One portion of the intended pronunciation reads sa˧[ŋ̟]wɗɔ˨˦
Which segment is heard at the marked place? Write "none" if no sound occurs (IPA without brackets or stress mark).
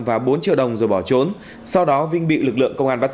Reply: none